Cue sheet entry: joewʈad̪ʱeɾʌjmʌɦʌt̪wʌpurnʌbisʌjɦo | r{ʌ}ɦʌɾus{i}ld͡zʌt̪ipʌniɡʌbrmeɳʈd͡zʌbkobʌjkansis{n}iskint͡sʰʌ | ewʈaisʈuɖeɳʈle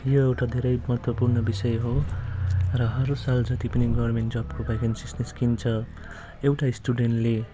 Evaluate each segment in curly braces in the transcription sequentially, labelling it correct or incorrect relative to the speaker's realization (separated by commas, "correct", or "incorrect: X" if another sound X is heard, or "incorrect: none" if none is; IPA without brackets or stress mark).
correct, incorrect: a, correct